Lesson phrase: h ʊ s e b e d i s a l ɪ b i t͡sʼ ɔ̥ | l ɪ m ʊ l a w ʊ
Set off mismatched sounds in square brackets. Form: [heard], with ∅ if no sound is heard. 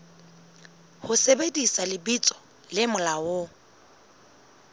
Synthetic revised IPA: h ʊ s e b e d i s a l ɪ b i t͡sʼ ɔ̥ | l ɪ m ʊ l a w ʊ